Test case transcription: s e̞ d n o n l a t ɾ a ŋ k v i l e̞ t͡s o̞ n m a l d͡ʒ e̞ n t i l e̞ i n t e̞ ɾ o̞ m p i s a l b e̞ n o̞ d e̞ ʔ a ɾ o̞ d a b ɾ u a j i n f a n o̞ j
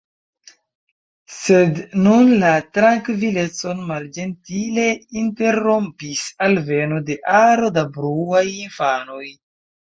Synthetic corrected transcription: s e̞ d n u n l a t ɾ a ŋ k v i l e̞ t͡s o̞ n m a l d͡ʒ e̞ n t i l e̞ i n t e̞ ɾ o̞ m p i s a l v e̞ n o̞ d e̞ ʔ a ɾ o̞ d a b ɾ u a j i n f a n o̞ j

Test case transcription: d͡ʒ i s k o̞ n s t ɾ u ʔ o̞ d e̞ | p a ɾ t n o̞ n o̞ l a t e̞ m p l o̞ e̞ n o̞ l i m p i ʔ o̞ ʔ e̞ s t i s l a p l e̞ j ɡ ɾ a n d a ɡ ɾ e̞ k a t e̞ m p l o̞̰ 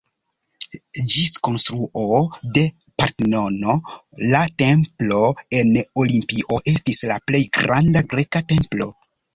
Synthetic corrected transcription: d͡ʒ i s k o̞ n s t ɾ u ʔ o̞ d e̞ | p a ɾ t n o̞ n o̞ l a t e̞ m p l o̞ e̞ n o̞ l i m p i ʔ o̞ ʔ e̞ s t i s l a p l e̞ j ɡ ɾ a n d a ɡ ɾ e̞ k a t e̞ m p l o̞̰

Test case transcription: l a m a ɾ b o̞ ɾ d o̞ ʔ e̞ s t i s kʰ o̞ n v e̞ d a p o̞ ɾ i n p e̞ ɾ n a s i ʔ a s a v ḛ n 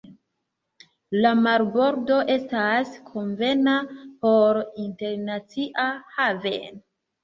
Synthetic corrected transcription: l a m a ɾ b o̞ ɾ d o̞ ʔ e̞ s t a s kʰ o̞ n v e̞ n a p o̞ ɾ i n t e̞ ɾ n a t͡s i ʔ a h a v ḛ n

